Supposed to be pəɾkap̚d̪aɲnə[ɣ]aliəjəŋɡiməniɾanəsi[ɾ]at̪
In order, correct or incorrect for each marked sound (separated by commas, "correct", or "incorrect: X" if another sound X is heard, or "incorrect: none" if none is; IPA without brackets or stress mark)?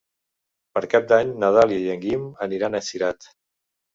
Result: incorrect: ð, correct